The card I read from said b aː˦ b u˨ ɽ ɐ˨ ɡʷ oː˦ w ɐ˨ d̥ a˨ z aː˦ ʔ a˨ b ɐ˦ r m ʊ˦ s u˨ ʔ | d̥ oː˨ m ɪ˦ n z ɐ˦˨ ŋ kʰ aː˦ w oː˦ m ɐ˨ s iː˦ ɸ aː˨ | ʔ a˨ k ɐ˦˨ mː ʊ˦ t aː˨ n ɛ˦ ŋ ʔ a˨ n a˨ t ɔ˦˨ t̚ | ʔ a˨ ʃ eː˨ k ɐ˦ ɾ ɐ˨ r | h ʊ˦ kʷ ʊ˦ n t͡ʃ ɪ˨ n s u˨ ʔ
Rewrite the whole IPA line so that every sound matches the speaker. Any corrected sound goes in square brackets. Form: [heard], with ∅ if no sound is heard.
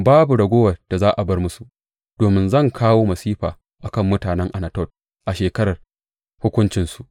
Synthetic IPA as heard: b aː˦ b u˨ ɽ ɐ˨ ɡʷ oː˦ w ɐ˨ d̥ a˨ z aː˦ ʔ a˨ b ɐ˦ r m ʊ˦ s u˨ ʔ | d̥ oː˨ m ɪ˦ n z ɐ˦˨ ŋ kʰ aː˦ w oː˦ m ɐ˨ s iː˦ ɸ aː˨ | ʔ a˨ k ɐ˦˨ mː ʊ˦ t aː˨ n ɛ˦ ŋ ʔ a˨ n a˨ t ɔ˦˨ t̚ | ʔ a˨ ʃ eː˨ k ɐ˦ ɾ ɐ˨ r | h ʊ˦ kʷ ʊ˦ n t͡ʃ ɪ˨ n s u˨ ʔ